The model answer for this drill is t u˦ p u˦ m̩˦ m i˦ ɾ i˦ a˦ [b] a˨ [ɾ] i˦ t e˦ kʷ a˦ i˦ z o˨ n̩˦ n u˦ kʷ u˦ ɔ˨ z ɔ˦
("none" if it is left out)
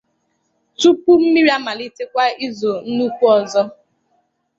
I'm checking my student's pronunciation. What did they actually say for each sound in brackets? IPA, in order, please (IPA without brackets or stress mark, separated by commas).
m, l